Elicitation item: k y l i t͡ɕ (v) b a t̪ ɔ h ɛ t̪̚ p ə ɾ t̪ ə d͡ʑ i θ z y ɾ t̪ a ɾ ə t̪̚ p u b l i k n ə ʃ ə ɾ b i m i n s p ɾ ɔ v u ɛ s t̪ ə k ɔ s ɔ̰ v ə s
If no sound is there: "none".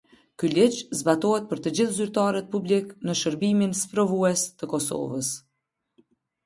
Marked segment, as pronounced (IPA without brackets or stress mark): z